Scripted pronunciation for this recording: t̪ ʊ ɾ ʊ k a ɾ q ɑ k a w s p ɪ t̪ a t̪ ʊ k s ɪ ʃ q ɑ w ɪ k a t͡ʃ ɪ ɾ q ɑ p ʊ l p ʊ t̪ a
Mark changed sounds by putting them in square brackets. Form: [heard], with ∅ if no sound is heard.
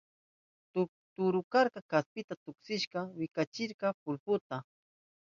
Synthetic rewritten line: t̪ ʊ ɾ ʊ k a ɾ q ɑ k a [∅] s p ɪ t̪ a t̪ ʊ k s ɪ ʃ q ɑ w ɪ k a t͡ʃ ɪ ɾ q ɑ p ʊ l p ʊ t̪ a